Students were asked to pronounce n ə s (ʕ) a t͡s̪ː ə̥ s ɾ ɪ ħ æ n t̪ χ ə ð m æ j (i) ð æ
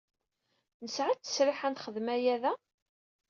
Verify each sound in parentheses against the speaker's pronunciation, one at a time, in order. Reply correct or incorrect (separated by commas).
correct, incorrect